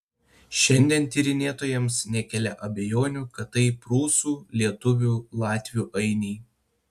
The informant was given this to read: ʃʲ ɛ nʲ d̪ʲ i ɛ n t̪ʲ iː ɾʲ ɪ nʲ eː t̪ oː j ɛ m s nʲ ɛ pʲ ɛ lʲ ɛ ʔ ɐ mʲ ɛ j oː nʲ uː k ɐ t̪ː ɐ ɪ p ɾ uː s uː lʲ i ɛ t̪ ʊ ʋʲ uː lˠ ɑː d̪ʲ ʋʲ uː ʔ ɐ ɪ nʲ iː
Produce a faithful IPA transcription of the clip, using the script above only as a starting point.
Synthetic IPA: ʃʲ ɛ nʲ d̪ʲ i ɛ n t̪ʲ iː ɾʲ ɪ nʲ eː t̪ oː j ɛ m s nʲ ɛ kʲ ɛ lʲ ɛ ʔ ɐ bʲ ɛ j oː nʲ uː k ɐ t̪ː ɐ ɪ p ɾ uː s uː lʲ i ɛ t̪ ʊ ʋʲ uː lˠ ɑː t̪ʲ ʋʲ uː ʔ ɐ ɪ nʲ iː